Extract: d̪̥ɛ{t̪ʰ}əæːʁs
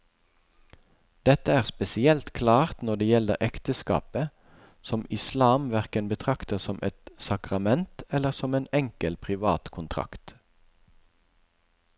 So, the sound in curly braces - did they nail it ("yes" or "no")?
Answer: no